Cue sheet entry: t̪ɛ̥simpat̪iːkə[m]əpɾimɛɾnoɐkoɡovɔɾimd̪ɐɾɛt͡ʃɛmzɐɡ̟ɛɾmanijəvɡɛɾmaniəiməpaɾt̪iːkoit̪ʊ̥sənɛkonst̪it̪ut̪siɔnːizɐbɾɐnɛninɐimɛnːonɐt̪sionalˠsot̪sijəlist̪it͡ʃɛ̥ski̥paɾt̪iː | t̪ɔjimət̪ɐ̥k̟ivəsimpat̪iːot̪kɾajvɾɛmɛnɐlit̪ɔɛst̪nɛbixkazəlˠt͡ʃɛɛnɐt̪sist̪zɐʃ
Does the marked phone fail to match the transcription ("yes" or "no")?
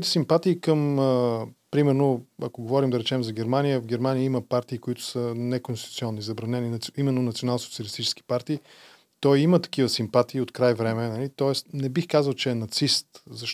no